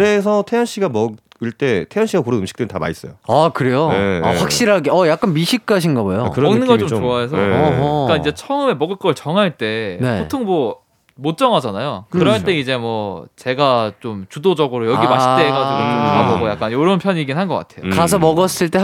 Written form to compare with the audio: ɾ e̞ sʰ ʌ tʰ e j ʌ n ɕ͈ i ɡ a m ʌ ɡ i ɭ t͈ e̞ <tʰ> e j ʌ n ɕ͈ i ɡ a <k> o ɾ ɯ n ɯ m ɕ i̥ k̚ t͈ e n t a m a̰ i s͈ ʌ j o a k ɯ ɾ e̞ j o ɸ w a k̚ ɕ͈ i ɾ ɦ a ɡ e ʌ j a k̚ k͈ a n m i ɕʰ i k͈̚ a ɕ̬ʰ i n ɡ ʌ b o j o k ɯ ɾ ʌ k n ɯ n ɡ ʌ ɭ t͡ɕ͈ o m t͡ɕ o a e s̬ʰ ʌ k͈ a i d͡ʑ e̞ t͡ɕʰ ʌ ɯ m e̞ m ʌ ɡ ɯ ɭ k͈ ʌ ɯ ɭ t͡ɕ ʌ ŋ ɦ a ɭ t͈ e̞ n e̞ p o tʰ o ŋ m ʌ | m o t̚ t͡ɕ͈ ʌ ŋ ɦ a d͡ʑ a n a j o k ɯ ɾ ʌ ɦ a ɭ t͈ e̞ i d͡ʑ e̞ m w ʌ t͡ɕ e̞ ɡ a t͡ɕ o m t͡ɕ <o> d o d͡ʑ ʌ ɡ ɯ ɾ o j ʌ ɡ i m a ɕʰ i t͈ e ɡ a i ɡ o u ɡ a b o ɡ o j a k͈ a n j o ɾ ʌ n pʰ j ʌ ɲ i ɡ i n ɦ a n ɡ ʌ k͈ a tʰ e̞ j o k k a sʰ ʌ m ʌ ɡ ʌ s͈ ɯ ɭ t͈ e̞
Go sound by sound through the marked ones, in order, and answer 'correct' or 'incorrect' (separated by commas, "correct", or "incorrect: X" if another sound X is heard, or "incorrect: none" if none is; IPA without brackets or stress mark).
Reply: correct, correct, incorrect: u